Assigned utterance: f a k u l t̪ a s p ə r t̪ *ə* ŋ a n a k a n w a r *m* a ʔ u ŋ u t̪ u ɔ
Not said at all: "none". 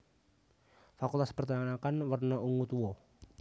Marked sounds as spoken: a, n

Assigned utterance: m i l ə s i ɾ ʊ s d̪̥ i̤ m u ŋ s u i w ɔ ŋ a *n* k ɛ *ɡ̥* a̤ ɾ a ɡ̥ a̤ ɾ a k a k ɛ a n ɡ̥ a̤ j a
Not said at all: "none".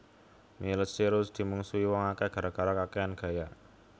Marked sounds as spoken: none, ɡ̥

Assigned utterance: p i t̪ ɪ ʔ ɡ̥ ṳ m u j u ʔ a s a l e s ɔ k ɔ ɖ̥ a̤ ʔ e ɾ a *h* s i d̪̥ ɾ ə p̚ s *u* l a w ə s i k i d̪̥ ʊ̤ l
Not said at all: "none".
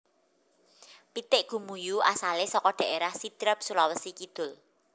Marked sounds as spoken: h, u

